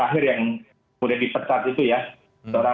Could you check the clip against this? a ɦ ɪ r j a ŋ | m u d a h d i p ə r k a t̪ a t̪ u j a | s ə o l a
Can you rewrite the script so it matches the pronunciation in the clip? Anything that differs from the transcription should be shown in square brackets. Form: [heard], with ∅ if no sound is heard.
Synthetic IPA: a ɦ ɪ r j a ŋ | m u d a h d i p ə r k a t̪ [i] t̪ u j a | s ə o [ɾ] a